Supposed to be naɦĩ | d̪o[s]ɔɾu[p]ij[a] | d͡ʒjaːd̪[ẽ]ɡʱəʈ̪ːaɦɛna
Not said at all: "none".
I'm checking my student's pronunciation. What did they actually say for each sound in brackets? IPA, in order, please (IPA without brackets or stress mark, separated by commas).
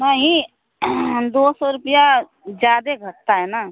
s, p, a, e